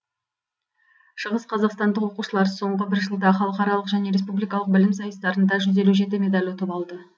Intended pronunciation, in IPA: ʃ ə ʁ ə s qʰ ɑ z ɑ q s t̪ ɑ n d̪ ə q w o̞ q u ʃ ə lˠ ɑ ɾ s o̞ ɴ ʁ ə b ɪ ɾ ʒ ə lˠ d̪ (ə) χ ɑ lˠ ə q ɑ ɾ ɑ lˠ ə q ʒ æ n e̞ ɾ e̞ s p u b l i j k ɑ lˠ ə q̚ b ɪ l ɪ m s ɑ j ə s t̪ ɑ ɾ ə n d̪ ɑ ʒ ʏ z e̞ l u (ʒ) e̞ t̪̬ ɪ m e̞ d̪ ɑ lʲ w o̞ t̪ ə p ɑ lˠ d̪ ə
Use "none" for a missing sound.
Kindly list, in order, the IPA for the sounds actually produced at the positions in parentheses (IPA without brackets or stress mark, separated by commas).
ɑ, ʒ